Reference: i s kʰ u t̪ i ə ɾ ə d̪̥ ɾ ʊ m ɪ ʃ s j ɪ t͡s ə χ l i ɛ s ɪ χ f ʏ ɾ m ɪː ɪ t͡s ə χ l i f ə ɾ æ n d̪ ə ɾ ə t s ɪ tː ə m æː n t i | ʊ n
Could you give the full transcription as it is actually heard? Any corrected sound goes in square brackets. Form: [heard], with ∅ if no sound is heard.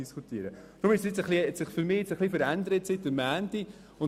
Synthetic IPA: i s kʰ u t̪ i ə ɾ ə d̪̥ ɾ ʊ m ɪ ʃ s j ɪ t͡s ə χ l i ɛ s ɪ χ f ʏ ɾ m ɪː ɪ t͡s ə χ l i f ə ɾ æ n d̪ ə ɾ ə t s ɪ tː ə m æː n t i | ʊ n